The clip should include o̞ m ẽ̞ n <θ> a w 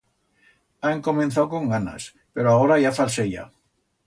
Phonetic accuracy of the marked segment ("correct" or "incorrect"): correct